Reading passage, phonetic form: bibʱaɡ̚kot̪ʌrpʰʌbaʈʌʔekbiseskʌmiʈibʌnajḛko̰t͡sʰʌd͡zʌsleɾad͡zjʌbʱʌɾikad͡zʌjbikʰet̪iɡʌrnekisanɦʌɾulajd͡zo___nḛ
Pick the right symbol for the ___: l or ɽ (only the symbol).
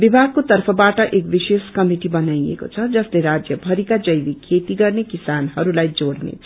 ɽ